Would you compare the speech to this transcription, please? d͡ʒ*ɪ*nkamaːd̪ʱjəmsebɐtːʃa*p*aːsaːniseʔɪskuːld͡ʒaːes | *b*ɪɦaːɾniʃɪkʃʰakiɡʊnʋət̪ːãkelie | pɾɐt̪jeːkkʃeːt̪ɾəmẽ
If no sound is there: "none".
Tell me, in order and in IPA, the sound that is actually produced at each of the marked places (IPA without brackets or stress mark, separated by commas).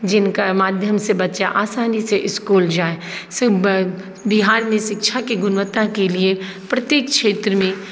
ɪ, ʔ, b